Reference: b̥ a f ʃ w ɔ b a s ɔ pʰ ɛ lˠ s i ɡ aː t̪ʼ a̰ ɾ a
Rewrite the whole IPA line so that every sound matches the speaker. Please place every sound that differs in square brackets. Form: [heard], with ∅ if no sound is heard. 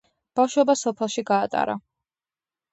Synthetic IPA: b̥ a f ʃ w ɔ b a s ɔ pʰ ɛ lˠ [ʃ] i ɡ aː t̪ʼ a̰ ɾ a

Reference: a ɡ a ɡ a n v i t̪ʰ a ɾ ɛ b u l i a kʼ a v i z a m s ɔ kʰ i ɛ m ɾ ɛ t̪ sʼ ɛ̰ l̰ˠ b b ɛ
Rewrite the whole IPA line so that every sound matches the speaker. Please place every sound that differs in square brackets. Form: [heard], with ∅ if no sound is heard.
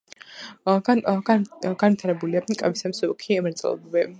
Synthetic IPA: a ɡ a ɡ a n v i t̪ʰ a ɾ ɛ b u l i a kʼ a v i [s] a m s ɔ kʰ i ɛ m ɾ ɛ t̪ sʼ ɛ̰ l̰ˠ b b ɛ

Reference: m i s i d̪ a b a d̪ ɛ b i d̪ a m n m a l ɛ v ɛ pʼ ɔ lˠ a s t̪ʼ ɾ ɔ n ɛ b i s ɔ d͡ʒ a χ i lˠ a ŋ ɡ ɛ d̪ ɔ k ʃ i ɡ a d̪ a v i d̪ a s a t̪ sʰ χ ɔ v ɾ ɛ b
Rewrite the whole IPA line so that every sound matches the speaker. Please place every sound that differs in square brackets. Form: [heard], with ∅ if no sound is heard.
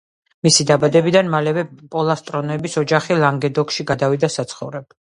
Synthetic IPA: m i s i d̪ a b a d̪ ɛ b i d̪ a [∅] n m a l ɛ v ɛ pʼ ɔ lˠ a s t̪ʼ ɾ ɔ n ɛ b i s ɔ d͡ʒ a χ i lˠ a ŋ ɡ ɛ d̪ ɔ k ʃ i ɡ a d̪ a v i d̪ a s a t̪ sʰ χ ɔ v ɾ ɛ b

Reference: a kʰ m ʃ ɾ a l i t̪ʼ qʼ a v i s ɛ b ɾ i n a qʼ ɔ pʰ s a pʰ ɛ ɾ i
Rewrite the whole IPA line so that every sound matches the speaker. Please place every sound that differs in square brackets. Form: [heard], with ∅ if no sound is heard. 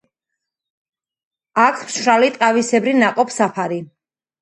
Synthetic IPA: a kʰ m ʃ ɾ a l i t̪ʼ qʼ a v i s ɛ b ɾ i n a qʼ ɔ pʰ s a pʰ [a] ɾ i

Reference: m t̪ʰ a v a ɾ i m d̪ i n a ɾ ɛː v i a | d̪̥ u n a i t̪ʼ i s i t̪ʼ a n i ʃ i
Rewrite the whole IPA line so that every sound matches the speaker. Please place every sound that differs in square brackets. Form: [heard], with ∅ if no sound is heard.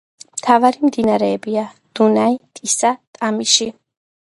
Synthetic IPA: m t̪ʰ a v a ɾ i m d̪ i n a ɾ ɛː [b] i a | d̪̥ u n a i t̪ʼ i s [a] t̪ʼ a [m] i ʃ i

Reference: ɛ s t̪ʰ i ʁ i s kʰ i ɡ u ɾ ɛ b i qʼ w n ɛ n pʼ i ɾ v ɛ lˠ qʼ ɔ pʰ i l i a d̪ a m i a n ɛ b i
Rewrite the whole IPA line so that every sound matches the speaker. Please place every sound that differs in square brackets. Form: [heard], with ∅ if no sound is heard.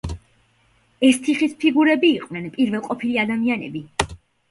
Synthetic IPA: ɛ s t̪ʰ i [χ] i s [pʰ] i ɡ u ɾ ɛ b [iː] qʼ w n ɛ n pʼ i ɾ v ɛ lˠ qʼ ɔ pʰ i l i a d̪ a m i a n ɛ b i

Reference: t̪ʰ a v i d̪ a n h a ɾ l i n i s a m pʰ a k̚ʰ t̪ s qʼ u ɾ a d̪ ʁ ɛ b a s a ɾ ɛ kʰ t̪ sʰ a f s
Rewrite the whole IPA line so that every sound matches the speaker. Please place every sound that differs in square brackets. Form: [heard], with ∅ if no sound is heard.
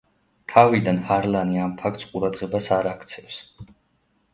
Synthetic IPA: t̪ʰ a v i d̪ a n h a ɾ l [a] n i [∅] a m pʰ a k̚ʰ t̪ s qʼ u ɾ a d̪ ʁ ɛ b a s a ɾ [a] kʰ t̪ sʰ [ɛ] f s

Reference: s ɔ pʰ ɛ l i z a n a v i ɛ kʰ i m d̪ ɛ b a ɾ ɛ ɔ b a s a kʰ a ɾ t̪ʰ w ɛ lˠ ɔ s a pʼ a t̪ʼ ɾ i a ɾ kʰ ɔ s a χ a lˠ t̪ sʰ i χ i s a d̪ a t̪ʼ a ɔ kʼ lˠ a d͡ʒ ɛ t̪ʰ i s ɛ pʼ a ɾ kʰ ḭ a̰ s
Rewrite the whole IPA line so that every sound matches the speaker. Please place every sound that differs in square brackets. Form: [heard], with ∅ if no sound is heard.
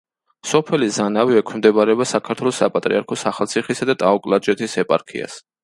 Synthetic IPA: s ɔ pʰ ɛ l i z a n a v i ɛ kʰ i m d̪ ɛ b a ɾ ɛ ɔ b a s a kʰ a ɾ t̪ʰ w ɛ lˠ ɔ s a pʼ a t̪ʼ ɾ i a ɾ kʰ ɔ s a χ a lˠ t̪ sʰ i χ i s a d̪ a t̪ʼ a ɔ kʼ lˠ a d͡ʒ ɛ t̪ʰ i s ɛ pʼ a ɾ kʰ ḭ a̰ s

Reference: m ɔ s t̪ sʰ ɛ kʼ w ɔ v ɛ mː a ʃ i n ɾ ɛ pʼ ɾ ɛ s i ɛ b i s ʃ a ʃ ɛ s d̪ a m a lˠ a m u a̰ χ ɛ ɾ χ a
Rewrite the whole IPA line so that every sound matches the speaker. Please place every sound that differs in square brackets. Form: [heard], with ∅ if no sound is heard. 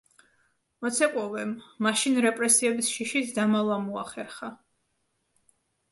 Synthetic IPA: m ɔ [∅] t̪ sʰ ɛ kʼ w ɔ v ɛ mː a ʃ i n ɾ ɛ pʼ ɾ ɛ s i ɛ b i s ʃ [i] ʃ [i] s d̪ a m a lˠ a m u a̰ χ ɛ ɾ χ a

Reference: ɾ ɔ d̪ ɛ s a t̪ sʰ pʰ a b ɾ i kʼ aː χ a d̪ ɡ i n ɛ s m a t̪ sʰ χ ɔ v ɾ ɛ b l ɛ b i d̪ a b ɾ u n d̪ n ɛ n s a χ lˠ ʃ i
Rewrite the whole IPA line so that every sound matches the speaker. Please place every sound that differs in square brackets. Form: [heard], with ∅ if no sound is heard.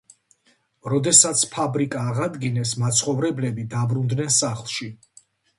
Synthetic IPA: ɾ ɔ d̪ ɛ s a t̪ sʰ pʰ a b ɾ i kʼ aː [ʁ] a d̪ ɡ i n ɛ s m a t̪ sʰ χ ɔ v ɾ ɛ b l ɛ b i d̪ a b ɾ u n d̪ n ɛ n s a χ lˠ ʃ i

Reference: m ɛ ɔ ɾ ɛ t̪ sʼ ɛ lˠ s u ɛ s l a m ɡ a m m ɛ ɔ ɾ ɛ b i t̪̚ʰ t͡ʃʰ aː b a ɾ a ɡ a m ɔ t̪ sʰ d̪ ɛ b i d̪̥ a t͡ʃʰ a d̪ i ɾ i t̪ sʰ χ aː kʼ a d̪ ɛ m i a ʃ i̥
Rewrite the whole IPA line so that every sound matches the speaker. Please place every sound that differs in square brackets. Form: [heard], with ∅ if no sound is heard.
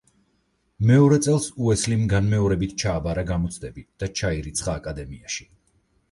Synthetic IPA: m ɛ ɔ ɾ ɛ t̪ sʼ ɛ lˠ s u ɛ s l [i] m ɡ a [n] m ɛ ɔ ɾ ɛ b i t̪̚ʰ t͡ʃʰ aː b a ɾ a ɡ a m ɔ t̪ sʰ d̪ ɛ b i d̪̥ a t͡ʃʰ a [∅] i ɾ i t̪ sʰ χ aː kʼ a d̪ ɛ m i a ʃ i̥

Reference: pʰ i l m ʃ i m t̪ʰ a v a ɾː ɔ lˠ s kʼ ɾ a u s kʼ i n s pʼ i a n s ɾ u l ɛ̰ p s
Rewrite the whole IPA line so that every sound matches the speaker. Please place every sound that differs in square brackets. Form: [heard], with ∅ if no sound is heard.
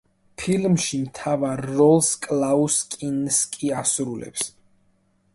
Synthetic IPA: pʰ i l m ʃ i m t̪ʰ a v a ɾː ɔ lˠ s kʼ [l] a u s kʼ i n s [kʼ] i a [∅] s ɾ u l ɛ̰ p s

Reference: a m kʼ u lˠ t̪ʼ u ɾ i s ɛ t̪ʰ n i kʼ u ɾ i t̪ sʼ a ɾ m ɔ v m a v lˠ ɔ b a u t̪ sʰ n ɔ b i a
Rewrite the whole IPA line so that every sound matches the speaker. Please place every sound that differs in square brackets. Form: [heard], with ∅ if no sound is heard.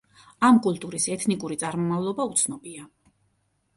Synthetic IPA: a m kʼ u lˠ t̪ʼ u ɾ i s ɛ t̪ʰ n i kʼ u ɾ i t̪ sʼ a ɾ m ɔ [∅] m a v lˠ ɔ b a u t̪ sʰ n ɔ b i a

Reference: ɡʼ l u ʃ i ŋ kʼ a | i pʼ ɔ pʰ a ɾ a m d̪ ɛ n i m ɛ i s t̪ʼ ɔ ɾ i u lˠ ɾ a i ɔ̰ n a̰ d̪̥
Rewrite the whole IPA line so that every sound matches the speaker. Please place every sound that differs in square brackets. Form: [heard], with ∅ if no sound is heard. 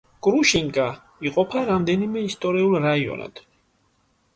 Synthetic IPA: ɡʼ [ɾ] u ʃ i ŋ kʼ a | i [qʼ] ɔ pʰ a ɾ a m d̪ ɛ n i m ɛ i s t̪ʼ ɔ ɾ i u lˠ ɾ a i ɔ̰ n a̰ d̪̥

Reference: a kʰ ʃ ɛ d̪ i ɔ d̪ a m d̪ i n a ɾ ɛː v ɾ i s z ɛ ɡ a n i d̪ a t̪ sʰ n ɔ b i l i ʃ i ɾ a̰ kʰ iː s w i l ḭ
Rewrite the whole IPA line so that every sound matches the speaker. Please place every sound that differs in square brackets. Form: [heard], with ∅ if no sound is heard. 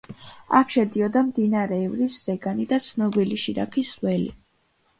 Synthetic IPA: a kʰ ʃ ɛ d̪ i ɔ d̪ a m d̪ i n a ɾ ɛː v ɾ i s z ɛ ɡ a n i d̪ a t̪ sʰ n ɔ b i l i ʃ i ɾ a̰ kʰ [i] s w [ɛ] l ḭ

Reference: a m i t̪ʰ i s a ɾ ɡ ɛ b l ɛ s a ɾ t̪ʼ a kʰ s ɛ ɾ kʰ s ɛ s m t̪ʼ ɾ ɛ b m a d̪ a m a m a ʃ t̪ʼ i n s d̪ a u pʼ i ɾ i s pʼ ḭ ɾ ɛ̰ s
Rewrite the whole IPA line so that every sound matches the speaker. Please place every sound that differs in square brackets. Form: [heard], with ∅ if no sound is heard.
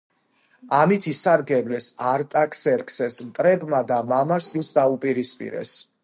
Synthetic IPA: a m i t̪ʰ i s a ɾ ɡ ɛ b l ɛ s a ɾ t̪ʼ a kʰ s ɛ ɾ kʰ s ɛ s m t̪ʼ ɾ ɛ b m a d̪ a m a m a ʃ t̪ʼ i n s d̪ a u pʼ i ɾ i s pʼ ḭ ɾ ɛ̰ s

